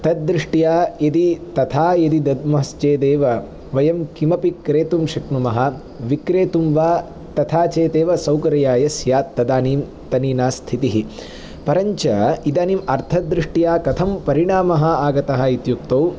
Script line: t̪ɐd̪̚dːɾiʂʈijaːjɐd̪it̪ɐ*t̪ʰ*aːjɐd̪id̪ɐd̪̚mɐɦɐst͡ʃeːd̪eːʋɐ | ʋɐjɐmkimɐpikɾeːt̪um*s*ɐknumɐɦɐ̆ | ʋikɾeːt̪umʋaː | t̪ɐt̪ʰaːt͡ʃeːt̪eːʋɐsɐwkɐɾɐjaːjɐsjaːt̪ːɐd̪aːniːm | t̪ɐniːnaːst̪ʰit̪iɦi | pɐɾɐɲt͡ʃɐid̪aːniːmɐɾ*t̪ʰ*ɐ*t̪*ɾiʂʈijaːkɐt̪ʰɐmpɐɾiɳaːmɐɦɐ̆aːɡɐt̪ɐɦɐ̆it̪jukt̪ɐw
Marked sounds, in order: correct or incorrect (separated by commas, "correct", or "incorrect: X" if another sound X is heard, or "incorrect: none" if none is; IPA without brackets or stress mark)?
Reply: correct, incorrect: ʃ, correct, incorrect: d̪